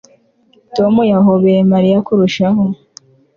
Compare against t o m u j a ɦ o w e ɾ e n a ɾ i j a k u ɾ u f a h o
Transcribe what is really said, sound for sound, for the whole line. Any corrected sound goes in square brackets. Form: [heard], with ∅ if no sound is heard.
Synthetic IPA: t o m u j a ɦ o [β] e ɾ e [m] a ɾ i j a k u ɾ u [ʃ] a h o